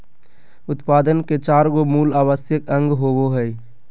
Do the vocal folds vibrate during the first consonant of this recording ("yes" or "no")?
no